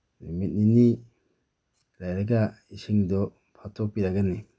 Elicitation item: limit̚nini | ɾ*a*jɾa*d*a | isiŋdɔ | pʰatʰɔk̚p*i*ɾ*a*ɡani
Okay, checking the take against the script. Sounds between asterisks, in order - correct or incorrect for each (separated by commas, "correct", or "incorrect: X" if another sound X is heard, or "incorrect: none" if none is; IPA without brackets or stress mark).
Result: correct, incorrect: ɡ, correct, correct